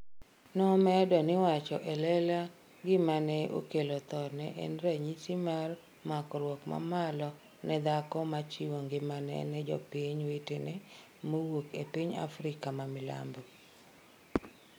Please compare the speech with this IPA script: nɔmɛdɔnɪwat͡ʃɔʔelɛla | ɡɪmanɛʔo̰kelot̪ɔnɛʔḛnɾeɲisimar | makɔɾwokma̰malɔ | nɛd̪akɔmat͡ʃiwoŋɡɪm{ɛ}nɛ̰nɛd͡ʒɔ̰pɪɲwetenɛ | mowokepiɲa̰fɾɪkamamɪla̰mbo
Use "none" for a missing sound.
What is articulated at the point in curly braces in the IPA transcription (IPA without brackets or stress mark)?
a